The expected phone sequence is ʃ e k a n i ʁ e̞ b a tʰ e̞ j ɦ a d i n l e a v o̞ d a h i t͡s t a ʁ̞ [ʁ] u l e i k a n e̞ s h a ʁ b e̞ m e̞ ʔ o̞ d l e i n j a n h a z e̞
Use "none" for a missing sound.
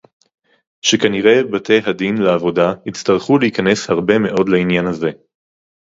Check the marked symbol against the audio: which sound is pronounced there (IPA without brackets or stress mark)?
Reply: χ